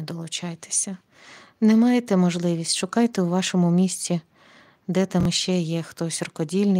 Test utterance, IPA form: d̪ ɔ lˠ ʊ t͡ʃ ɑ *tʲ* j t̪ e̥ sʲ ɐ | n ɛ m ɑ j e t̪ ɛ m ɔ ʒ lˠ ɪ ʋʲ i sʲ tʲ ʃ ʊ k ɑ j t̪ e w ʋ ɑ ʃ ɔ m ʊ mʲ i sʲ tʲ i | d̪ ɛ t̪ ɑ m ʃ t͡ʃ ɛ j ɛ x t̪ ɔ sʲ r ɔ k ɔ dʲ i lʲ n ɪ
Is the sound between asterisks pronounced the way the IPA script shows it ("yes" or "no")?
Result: no